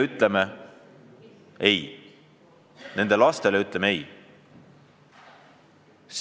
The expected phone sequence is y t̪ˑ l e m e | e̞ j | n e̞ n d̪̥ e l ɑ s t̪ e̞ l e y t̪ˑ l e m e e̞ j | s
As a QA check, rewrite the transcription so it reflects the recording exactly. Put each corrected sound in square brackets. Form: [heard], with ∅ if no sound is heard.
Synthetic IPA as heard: y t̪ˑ l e m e | e̞ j | n e̞ n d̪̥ e l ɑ s t̪ e̞ l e y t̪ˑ l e m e e̞ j | s